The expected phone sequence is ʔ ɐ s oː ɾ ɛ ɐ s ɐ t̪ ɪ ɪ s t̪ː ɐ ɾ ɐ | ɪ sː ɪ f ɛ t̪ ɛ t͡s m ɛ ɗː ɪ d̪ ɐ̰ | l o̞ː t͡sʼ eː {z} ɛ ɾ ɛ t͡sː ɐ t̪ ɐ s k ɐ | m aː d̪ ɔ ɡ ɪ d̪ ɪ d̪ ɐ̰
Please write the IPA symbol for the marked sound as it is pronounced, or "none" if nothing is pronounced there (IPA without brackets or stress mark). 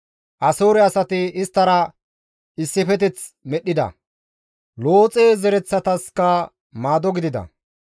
z